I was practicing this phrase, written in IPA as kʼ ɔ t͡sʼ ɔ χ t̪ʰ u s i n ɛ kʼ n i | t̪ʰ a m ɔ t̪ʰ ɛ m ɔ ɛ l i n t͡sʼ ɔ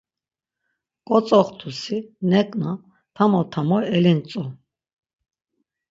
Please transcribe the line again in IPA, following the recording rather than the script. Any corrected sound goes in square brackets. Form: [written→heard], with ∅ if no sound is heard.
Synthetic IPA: kʼ ɔ t͡sʼ ɔ χ t̪ʰ u s i n ɛ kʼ n [i→a] | t̪ʰ a m ɔ t̪ʰ [ɛ→a] m ɔ ɛ l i n t͡sʼ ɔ